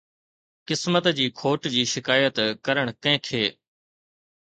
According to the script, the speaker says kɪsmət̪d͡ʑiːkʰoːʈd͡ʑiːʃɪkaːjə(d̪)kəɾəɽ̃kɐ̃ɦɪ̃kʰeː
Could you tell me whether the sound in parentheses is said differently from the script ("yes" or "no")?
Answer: yes